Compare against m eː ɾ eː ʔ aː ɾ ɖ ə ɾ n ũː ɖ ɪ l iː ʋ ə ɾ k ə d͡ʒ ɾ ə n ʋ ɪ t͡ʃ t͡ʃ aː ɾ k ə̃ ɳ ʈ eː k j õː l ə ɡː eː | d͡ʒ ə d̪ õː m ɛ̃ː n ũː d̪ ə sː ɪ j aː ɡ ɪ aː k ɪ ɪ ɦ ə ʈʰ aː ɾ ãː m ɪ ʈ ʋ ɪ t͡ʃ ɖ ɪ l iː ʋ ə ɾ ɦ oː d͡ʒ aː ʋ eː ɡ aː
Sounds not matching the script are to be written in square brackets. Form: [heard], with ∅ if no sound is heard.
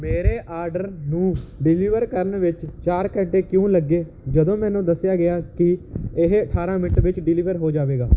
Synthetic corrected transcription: m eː ɾ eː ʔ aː ɾ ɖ ə ɾ n ũː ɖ ɪ l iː ʋ ə ɾ k ə [∅] ɾ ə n ʋ ɪ t͡ʃ t͡ʃ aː ɾ k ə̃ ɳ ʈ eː k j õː l ə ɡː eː | d͡ʒ ə d̪ õː m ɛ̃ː n ũː d̪ ə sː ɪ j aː ɡ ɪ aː k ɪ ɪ ɦ ə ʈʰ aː ɾ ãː m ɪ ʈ ʋ ɪ t͡ʃ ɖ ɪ l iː ʋ ə ɾ ɦ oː d͡ʒ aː ʋ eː ɡ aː